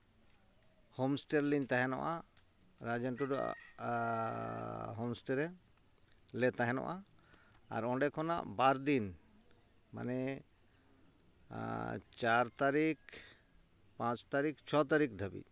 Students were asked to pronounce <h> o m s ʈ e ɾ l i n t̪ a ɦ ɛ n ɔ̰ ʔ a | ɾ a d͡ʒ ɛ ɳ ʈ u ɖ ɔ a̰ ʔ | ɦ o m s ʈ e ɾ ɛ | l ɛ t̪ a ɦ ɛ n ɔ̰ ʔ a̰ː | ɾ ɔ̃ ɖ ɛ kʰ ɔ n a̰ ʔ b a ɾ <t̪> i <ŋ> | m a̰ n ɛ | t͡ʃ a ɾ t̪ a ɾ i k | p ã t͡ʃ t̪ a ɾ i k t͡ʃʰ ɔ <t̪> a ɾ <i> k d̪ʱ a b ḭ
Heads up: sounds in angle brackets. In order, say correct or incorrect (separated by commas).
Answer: correct, incorrect, incorrect, correct, correct